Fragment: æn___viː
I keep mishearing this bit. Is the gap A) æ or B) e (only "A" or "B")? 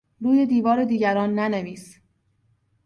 B